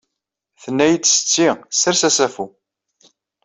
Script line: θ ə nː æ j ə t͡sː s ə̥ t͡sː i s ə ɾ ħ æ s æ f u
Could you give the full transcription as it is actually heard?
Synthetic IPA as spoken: θ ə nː æ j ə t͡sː s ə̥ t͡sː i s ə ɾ s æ s æ f u